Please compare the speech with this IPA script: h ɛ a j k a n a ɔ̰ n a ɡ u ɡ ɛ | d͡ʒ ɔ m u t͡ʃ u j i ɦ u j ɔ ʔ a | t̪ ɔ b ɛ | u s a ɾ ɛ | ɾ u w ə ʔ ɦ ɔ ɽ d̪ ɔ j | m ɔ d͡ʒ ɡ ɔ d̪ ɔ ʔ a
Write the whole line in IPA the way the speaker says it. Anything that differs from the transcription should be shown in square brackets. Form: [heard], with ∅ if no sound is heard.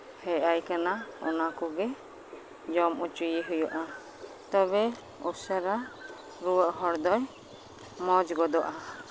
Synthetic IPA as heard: h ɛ a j k a n a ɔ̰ n a [k] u ɡ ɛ | d͡ʒ ɔ m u t͡ʃ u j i ɦ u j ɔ ʔ a | t̪ ɔ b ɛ | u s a ɾ [a] | ɾ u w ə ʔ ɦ ɔ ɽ d̪ ɔ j | m ɔ d͡ʒ ɡ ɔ d̪ ɔ ʔ a